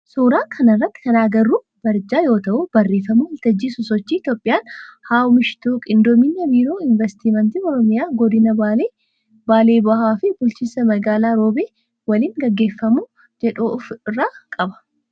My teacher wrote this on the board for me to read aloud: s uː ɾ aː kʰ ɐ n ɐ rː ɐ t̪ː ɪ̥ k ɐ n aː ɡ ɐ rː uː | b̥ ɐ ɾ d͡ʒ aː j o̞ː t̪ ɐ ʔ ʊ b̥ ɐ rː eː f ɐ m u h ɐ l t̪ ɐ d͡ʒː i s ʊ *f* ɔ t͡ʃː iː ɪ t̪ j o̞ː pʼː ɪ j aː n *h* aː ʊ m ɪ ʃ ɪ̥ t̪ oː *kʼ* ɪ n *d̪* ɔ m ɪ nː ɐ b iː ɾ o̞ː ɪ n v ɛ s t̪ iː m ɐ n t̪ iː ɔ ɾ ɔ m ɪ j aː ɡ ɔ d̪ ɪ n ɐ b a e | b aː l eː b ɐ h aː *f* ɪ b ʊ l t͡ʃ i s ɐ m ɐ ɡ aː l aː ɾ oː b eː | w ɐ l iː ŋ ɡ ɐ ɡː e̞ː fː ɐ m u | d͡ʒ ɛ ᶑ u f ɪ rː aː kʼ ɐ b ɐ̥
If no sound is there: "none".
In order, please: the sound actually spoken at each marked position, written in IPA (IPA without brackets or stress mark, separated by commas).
s, h, kʼ, d̪, f